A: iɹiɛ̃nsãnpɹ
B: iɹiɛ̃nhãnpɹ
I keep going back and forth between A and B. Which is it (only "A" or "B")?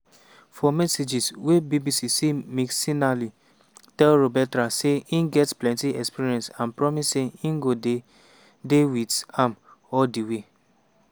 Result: A